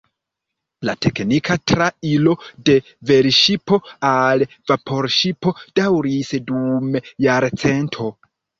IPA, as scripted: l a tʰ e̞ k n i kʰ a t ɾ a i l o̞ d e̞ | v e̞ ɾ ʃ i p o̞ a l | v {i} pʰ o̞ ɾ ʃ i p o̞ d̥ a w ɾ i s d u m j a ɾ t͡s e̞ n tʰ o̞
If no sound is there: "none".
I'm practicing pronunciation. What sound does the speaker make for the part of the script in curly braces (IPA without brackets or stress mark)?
a